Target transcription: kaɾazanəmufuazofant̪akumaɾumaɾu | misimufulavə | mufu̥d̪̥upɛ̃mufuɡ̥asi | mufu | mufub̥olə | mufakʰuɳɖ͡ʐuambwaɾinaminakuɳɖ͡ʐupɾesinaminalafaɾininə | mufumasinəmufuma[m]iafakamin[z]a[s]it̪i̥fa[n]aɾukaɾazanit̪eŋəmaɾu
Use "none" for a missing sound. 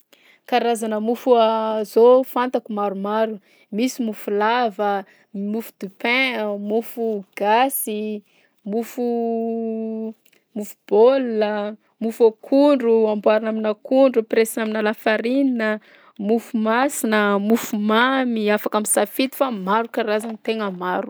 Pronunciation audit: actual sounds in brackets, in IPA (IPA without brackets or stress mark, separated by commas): m, s, f, m